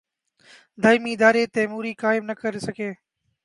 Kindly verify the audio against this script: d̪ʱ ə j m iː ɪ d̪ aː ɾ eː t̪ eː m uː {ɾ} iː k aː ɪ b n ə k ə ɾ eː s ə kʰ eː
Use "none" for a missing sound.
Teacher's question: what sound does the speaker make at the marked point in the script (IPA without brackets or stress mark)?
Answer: ɾ